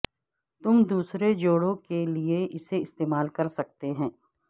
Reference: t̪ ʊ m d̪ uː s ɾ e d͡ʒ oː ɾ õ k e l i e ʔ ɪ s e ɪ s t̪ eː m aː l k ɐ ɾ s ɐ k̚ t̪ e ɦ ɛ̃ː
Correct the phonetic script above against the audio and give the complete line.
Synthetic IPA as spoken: t̪ ʊ m d̪ uː s ɾ e d͡ʒ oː ɽ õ k e l i e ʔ ɪ s e ɪ s t̪ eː m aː l k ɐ ɾ s ɐ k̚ t̪ e ɦ ɛ̃ː